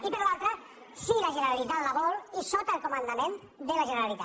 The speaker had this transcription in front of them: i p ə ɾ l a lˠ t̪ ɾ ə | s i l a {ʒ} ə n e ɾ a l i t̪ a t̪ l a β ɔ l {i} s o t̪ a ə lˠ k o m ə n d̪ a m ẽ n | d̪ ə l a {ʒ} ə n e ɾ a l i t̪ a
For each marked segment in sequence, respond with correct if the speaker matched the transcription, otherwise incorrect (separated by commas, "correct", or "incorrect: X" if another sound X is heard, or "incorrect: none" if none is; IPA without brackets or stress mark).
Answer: correct, correct, correct